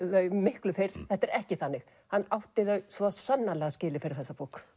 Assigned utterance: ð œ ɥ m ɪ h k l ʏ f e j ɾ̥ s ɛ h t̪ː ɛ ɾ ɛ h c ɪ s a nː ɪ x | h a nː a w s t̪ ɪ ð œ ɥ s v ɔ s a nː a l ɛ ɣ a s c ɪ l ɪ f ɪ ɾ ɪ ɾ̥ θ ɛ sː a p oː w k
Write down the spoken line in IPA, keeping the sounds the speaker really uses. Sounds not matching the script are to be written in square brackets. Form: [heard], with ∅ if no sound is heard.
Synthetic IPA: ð œ ɥ m ɪ h k l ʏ f e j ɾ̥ [θ] ɛ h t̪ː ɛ ɾ ɛ h c ɪ [θ] a nː ɪ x | h a nː a w [h] t̪ ɪ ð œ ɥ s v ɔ s a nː a l ɛ ɣ a s c [ɪː] l ɪ f ɪ ɾ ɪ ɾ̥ θ ɛ sː a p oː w k

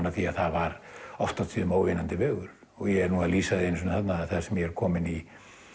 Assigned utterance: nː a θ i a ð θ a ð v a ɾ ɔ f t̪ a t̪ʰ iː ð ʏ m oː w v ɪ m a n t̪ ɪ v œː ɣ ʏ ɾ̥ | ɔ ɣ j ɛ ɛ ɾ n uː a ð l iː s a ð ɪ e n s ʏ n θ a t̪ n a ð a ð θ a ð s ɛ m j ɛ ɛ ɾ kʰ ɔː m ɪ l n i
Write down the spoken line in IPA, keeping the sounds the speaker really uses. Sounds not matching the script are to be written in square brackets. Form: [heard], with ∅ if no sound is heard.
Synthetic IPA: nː a θ i a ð θ a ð v a ɾ ɔ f t̪ a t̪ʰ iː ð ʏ m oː w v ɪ [n] a n t̪ ɪ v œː ɣ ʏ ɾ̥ | ɔ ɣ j ɛ ɛ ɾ n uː a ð l iː s a ð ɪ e n s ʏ n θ a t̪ n a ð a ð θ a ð s ɛ m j ɛ ɛ ɾ kʰ ɔː m ɪ [∅] n i

